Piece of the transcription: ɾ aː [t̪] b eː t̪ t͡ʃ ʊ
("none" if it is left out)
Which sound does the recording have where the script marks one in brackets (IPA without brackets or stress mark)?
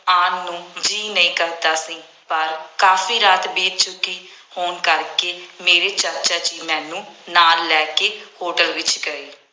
t̪